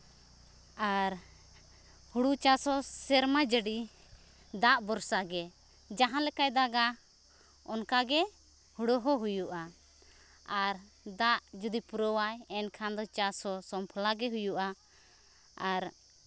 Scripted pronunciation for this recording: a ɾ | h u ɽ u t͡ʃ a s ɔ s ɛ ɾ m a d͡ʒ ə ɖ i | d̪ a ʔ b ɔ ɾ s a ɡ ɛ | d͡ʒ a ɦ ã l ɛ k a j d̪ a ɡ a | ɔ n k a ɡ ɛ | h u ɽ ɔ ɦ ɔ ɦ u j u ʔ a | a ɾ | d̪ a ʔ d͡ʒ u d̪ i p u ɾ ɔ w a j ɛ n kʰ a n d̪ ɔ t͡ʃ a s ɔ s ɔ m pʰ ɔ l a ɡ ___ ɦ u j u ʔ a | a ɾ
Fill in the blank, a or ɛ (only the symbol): ɛ